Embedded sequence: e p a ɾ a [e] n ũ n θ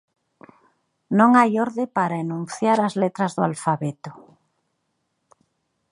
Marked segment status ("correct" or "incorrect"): correct